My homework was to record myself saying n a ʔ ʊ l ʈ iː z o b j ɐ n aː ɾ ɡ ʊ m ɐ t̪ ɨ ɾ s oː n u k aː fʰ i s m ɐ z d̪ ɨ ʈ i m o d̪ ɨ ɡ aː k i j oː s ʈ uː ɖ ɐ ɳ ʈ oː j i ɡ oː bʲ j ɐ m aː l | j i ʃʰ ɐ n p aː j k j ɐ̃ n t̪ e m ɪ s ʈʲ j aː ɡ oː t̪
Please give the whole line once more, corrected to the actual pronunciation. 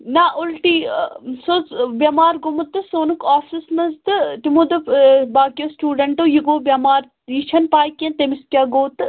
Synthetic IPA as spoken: n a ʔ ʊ l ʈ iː s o b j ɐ m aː ɾ ɡ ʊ m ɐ t̪ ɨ s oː n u k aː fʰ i s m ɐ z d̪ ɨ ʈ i m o d̪ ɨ b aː k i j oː s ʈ uː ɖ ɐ ɳ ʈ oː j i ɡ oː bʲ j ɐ m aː ɾ | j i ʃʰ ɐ n p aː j k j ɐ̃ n t̪ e m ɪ s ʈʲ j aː ɡ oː t̪